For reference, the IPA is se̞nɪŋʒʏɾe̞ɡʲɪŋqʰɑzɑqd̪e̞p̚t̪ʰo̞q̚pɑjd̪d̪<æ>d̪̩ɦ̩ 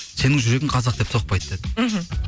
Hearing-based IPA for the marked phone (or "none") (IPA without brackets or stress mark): e